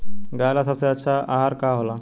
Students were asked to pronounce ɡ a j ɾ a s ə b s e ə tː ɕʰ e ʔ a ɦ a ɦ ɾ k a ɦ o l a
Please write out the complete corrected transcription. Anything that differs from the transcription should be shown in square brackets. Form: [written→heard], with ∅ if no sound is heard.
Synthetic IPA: ɡ a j [ɾ→l] a s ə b s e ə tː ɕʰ [e→a] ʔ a ɦ a [ɦ→∅] ɾ k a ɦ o l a